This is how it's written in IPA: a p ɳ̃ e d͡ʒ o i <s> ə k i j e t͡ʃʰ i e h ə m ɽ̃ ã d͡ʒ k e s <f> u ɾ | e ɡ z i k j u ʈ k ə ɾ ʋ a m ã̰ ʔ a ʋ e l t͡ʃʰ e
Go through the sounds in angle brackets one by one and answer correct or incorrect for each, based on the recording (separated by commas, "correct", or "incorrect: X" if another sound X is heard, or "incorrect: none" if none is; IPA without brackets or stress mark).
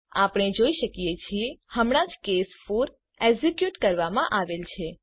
incorrect: ʃ, correct